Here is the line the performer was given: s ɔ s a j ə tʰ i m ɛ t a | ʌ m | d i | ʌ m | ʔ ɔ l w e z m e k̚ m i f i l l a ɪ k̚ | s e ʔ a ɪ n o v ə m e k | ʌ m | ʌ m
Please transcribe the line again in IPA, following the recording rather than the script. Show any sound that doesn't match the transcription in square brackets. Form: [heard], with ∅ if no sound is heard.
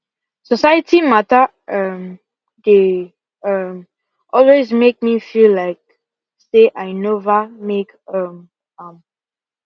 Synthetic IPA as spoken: s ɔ s a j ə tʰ i m [a] t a | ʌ m | d [e] | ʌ m | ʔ ɔ l w e z m e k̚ m i f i l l a ɪ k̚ | s e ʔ a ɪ n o v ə m e k | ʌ m | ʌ m

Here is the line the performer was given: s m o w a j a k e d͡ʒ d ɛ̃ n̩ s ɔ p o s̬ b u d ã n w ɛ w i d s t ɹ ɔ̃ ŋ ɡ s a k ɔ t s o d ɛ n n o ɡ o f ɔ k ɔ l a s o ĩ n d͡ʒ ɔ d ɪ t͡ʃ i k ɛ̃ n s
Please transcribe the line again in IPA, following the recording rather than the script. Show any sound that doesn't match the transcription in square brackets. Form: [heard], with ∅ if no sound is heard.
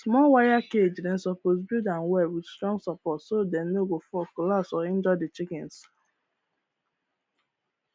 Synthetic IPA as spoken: s m [ɔ] w a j a k e d͡ʒ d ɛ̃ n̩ s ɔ p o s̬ b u d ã n w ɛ w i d s t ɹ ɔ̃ ŋ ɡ s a [p] ɔ t s o d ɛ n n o ɡ o f ɔ k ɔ l a s [ɔ] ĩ n d͡ʒ ɔ d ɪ t͡ʃ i k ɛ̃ n s

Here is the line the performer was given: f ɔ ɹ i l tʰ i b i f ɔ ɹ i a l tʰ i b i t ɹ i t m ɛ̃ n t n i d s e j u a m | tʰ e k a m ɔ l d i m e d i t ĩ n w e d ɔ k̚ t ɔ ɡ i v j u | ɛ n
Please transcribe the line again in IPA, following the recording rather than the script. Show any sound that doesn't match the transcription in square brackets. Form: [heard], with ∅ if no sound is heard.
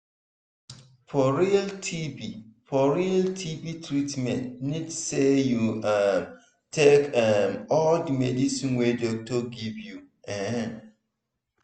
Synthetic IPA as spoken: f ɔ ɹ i l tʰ i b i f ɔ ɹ i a l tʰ i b i t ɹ i t m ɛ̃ n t n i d s e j u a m | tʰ e k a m ɔ l d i m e d i [s] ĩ n w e d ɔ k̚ t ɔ ɡ i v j u | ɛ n

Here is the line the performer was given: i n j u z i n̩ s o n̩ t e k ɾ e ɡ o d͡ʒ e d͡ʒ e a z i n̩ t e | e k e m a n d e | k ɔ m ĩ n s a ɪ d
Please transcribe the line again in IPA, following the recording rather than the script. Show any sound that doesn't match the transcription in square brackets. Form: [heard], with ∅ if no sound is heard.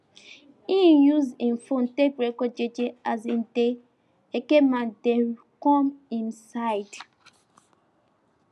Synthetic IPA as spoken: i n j u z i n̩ [f] o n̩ t e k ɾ e [k] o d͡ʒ e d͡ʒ e a z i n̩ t e | e k e m a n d e | k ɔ m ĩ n s a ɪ d

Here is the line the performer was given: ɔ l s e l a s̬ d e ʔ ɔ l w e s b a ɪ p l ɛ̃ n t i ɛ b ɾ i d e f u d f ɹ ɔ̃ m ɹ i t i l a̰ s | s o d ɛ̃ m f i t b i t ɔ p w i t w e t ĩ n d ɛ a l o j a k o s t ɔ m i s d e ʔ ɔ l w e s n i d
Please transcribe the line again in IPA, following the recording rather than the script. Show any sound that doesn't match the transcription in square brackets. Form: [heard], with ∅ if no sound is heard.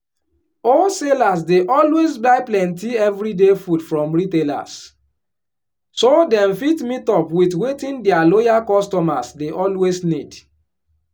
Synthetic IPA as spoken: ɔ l s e l a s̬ d e ʔ ɔ l w e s b a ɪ p l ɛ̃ n t i ɛ [v] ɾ i d e f u d f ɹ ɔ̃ m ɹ i t [e] l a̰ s | s o d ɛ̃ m f i t [m] i t ɔ p w i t w e t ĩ n d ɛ a l o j a k [ɔ] s t ɔ m [a] s d e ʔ ɔ l w e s n i d

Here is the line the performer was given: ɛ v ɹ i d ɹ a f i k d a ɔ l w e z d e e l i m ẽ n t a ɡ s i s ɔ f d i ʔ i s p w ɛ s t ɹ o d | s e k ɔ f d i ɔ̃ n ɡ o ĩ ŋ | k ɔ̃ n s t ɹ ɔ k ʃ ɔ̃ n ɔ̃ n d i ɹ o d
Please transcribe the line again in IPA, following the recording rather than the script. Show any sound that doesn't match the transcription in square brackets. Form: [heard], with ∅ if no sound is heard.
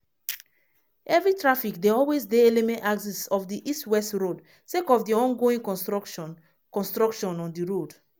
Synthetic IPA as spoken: ɛ v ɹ i [t] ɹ a f i k d [e] ɔ l w e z d e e l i m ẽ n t a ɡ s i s ɔ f d i ʔ i s [t] w ɛ s t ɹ o d | s e k ɔ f d i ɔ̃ n ɡ o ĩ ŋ | k ɔ̃ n s t ɹ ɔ k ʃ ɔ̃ n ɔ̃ n d i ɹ o d

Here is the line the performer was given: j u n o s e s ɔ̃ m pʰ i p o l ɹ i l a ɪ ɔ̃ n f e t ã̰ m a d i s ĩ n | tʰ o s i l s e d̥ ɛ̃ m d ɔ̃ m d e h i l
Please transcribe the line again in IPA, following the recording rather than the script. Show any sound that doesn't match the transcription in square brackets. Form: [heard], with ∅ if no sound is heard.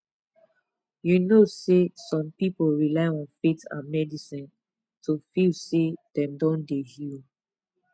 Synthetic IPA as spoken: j u n o s e s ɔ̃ m [p] i p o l ɹ i l a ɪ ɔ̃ n f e t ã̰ m [ɛ] d i s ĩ n | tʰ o [f] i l s e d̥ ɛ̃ m d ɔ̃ [n] d e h i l

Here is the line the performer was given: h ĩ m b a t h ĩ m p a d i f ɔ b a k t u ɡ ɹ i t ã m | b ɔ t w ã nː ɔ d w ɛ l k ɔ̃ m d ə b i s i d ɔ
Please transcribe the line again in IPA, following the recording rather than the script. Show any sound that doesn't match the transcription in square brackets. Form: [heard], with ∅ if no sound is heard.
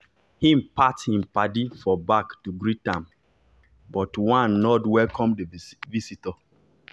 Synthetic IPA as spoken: h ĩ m [p] a t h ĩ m p a d i f ɔ b a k t u ɡ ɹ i t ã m | b ɔ t w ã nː ɔ d w ɛ l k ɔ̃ m d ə [v] i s i [t] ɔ

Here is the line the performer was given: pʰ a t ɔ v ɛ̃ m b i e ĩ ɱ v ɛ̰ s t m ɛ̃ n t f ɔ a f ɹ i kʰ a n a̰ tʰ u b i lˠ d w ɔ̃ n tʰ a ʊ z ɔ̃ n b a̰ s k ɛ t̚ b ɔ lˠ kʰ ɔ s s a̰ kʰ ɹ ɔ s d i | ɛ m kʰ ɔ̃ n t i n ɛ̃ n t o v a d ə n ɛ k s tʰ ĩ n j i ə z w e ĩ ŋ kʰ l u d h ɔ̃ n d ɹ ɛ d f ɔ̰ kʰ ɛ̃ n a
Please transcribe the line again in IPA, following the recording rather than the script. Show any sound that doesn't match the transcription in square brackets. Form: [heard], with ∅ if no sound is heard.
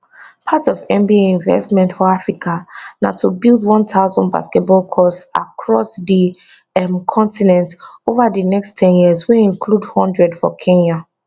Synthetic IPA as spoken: pʰ a t ɔ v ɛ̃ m b i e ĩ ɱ v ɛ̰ s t m ɛ̃ n t f ɔ a f ɹ i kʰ a n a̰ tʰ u b i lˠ d w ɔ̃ n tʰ a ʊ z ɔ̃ n b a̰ s k ɛ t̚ b ɔ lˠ kʰ ɔ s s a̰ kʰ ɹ ɔ s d i | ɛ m kʰ ɔ̃ n t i n ɛ̃ n t o v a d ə n ɛ k s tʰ [ɛ̃] n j i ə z w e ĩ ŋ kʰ l u d h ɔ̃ n d ɹ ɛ d f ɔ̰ kʰ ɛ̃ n a

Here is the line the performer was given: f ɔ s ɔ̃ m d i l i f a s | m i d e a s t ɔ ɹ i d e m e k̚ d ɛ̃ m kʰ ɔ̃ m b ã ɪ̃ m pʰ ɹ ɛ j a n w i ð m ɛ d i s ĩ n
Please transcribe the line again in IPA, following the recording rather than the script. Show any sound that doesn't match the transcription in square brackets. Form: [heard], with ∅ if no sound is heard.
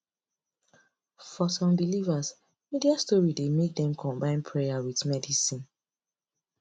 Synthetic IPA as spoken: f ɔ s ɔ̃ m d i l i [v] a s | m i d [i] a s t ɔ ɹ i d e m e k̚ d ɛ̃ m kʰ ɔ̃ m b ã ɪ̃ [n] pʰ ɹ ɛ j a [∅] w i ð m ɛ d i s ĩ n

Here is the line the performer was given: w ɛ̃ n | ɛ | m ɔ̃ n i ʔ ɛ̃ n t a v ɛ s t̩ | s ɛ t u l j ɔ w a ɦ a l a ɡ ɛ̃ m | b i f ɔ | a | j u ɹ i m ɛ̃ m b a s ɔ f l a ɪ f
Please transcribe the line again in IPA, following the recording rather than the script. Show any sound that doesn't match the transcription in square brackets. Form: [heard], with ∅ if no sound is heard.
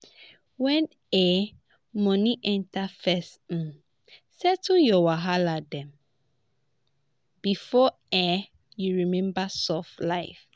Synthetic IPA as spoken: w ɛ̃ n | ɛ | m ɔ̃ n i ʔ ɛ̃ n t a [f] ɛ s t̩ | s ɛ t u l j ɔ w a ɦ a l a [d] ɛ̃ m | b i f ɔ | [ɛ] | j u ɹ i m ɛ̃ m b a s ɔ f l a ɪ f

